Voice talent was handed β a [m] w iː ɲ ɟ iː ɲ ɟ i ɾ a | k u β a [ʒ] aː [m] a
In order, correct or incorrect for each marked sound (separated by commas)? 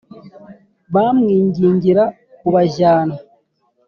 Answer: correct, correct, incorrect